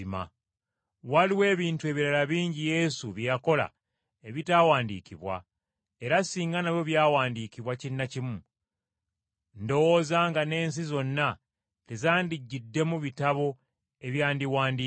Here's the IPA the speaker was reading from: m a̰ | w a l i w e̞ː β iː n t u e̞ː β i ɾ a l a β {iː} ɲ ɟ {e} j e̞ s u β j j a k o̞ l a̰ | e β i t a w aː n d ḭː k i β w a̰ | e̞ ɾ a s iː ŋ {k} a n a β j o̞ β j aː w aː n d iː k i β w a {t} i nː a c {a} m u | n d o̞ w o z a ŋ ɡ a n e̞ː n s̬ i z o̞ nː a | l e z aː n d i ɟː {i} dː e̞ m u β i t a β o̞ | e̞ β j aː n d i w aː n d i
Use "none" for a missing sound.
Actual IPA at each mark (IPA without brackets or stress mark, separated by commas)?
iː, i, ɡ, c, i, i